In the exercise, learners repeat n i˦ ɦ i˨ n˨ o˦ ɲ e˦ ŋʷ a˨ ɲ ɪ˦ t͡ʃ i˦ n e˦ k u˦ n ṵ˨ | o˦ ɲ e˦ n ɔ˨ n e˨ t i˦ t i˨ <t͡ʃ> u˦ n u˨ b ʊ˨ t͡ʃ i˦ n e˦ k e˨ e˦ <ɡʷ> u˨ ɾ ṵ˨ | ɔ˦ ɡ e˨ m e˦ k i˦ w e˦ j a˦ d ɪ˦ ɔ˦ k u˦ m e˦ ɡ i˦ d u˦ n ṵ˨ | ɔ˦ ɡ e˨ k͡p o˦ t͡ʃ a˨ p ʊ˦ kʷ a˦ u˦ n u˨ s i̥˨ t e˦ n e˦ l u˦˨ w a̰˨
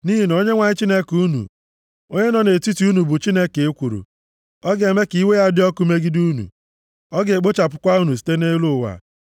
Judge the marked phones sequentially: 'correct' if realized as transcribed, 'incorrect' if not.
incorrect, incorrect

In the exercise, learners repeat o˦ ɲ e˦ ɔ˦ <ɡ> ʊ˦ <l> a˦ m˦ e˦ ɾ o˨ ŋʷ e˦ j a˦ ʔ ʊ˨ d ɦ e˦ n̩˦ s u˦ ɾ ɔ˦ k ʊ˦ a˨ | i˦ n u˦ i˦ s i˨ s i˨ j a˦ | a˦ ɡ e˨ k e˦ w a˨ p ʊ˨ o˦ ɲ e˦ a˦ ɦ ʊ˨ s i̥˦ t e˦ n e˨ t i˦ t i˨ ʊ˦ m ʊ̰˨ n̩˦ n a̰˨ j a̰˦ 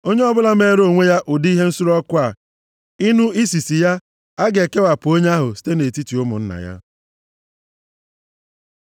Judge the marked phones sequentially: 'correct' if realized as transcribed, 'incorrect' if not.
incorrect, correct

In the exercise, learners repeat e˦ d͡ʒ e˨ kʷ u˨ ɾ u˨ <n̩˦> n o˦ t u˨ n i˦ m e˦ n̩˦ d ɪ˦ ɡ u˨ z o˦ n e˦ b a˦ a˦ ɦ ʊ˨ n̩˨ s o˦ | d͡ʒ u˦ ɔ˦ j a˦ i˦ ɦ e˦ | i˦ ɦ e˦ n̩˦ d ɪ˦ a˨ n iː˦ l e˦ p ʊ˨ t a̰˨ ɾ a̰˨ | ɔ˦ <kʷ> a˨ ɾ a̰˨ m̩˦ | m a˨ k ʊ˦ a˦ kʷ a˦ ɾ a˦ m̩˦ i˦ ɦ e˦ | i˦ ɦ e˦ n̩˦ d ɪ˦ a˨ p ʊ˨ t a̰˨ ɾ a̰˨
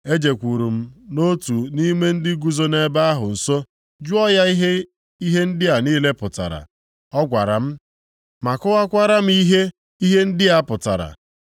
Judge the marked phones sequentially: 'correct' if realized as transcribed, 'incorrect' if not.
incorrect, incorrect

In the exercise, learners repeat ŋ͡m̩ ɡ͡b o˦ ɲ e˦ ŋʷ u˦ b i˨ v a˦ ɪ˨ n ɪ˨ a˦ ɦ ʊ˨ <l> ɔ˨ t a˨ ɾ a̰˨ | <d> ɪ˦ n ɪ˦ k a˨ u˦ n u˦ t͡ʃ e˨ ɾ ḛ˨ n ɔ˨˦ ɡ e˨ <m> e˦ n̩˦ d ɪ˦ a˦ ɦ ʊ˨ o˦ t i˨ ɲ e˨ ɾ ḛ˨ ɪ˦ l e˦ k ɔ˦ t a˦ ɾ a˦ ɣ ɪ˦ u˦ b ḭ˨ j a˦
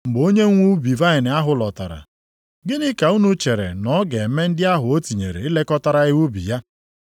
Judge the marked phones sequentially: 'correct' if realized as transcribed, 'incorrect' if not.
correct, incorrect, correct

